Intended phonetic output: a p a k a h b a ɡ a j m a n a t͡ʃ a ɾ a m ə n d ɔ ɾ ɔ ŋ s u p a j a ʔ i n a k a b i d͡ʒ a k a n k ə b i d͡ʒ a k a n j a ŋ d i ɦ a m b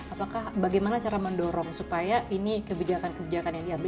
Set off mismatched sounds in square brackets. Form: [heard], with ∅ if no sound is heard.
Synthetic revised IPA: a p a k a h b a ɡ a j m a n a t͡ʃ a ɾ a m ə n d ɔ ɾ ɔ ŋ s u p a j a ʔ i n [i] k [ə] b i d͡ʒ a k a n k ə b i d͡ʒ a k a n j a ŋ d i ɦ a m b